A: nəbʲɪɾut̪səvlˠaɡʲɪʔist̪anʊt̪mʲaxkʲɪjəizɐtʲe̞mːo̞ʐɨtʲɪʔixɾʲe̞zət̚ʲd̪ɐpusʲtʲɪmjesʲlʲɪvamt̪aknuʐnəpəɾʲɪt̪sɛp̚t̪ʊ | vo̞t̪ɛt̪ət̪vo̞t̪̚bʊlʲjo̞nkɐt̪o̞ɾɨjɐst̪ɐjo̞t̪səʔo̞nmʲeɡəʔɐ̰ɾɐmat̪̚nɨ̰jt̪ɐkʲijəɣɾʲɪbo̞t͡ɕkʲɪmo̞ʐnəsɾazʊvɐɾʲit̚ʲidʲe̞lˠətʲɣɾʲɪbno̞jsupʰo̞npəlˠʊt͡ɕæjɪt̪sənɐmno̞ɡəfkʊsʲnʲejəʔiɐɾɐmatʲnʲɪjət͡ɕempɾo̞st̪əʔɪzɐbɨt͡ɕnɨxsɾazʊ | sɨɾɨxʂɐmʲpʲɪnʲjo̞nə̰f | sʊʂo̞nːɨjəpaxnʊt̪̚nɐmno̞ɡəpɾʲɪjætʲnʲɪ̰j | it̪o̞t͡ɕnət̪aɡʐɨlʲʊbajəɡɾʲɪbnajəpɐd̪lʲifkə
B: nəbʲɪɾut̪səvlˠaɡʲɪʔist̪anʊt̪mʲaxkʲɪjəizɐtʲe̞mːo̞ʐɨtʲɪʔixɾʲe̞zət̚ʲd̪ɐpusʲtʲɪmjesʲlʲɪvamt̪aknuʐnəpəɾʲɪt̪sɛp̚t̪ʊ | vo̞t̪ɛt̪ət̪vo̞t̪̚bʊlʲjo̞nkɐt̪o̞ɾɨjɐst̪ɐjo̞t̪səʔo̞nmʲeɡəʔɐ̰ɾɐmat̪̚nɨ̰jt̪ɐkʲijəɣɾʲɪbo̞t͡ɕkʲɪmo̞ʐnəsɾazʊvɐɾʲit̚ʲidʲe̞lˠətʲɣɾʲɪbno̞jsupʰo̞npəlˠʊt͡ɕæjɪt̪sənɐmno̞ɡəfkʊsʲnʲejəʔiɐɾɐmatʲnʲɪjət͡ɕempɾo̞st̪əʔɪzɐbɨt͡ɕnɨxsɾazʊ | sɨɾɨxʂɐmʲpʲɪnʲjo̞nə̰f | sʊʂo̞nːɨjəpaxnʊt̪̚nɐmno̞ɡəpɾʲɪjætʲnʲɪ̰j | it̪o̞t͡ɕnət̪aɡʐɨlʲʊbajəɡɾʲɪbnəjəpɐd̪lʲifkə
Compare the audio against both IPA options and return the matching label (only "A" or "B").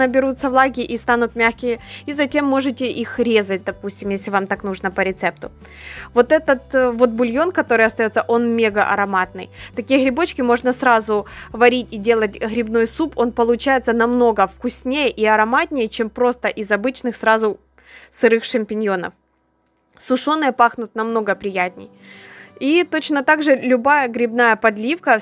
A